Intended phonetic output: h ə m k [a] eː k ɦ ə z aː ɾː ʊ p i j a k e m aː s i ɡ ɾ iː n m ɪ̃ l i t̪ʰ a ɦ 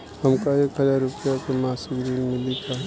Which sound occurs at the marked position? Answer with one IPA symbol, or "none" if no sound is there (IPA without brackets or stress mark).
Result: a